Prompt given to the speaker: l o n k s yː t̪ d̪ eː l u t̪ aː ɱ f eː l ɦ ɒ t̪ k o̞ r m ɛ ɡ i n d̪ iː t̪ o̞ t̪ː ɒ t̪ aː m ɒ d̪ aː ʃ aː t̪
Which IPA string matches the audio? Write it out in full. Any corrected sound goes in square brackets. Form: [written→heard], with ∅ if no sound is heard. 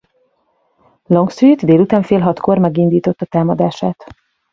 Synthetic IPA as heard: l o [n→ŋ] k s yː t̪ d̪ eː l u t̪ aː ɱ f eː l ɦ ɒ t̪ k o̞ r m ɛ ɡ i n d̪ iː t̪ o̞ t̪ː ɒ t̪ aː m ɒ d̪ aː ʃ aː t̪